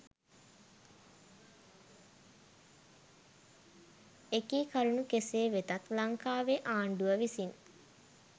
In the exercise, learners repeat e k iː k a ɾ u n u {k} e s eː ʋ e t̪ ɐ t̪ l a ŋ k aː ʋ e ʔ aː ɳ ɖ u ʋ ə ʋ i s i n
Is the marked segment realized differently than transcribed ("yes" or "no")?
no